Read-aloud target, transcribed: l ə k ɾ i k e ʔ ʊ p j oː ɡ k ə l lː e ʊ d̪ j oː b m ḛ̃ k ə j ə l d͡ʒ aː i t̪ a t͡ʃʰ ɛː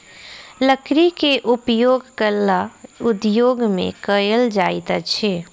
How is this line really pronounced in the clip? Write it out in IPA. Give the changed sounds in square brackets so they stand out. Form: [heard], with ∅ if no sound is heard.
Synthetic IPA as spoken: l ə k ɾ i k e ʔ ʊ p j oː ɡ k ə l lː [a] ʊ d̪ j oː [ɡ] m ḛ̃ k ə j ə l d͡ʒ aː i t̪ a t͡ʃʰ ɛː